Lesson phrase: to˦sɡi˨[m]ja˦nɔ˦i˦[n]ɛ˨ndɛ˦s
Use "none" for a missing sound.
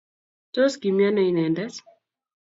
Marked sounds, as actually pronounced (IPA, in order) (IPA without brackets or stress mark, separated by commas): m, n